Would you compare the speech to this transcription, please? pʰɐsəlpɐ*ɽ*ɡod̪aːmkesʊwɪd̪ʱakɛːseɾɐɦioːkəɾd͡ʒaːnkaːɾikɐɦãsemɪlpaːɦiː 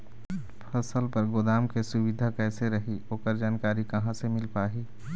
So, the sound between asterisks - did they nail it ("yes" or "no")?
no